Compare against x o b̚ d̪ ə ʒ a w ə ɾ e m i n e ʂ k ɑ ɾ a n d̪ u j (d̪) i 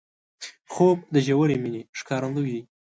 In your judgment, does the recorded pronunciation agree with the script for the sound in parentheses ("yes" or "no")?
yes